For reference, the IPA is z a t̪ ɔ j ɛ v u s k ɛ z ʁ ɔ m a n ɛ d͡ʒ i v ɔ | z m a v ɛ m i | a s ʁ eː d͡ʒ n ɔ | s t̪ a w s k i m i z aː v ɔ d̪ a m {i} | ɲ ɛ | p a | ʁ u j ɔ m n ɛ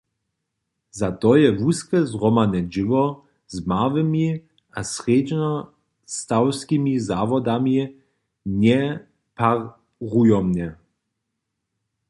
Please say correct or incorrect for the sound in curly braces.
correct